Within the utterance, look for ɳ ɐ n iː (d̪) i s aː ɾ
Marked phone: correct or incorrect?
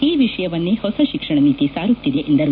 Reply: incorrect